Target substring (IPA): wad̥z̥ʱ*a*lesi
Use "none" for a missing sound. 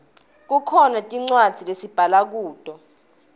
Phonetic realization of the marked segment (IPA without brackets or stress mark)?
i